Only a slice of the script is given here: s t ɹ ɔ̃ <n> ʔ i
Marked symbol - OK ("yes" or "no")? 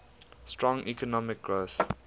no